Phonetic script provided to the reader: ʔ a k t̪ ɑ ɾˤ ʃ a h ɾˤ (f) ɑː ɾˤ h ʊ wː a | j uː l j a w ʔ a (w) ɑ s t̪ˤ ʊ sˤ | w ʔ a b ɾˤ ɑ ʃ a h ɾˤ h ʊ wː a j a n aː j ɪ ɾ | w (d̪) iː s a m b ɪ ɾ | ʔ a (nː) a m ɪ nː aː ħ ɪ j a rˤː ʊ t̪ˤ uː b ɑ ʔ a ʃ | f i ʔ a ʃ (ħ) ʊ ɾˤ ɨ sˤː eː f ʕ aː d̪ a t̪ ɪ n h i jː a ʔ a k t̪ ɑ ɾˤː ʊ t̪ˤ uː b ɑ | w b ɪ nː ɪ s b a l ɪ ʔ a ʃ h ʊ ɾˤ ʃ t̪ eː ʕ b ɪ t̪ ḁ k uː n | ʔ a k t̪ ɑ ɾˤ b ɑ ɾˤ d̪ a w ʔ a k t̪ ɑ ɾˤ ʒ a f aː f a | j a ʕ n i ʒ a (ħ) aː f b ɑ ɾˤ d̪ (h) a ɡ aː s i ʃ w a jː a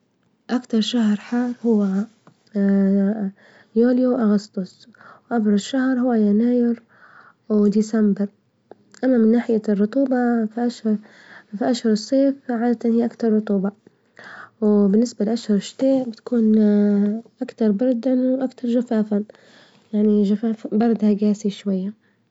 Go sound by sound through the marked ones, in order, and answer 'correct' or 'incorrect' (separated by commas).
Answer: incorrect, incorrect, correct, incorrect, incorrect, incorrect, correct